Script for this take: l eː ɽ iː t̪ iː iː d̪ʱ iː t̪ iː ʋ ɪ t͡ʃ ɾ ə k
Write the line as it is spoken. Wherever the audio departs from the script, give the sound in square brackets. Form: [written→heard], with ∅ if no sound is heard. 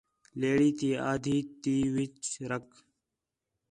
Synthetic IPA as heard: l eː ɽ iː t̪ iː [iː→aː] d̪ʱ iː t̪ iː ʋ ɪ t͡ʃ ɾ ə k